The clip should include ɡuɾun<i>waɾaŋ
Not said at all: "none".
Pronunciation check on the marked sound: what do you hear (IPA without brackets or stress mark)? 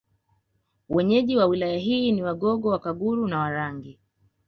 a